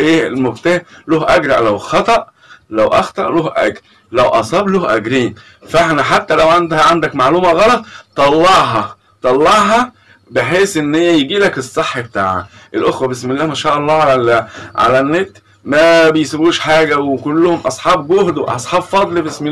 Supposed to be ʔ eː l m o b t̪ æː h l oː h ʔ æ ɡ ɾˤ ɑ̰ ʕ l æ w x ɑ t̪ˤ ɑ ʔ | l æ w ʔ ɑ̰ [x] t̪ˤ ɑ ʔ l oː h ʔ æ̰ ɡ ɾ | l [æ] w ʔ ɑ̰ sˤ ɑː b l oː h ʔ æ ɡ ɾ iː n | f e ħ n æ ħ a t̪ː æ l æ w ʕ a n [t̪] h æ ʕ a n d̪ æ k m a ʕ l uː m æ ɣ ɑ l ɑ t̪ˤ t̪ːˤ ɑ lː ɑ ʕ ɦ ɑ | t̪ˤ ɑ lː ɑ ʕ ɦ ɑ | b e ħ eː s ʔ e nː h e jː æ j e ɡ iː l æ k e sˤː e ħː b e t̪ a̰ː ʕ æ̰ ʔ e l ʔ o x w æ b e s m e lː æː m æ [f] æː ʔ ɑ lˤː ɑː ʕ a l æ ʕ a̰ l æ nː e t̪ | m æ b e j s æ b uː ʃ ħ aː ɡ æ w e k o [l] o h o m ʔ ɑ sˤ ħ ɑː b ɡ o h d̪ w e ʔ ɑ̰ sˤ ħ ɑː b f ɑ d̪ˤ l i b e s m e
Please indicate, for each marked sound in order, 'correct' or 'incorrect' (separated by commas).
correct, correct, incorrect, incorrect, incorrect